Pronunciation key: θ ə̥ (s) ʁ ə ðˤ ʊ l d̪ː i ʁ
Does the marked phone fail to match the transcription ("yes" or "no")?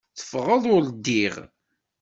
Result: yes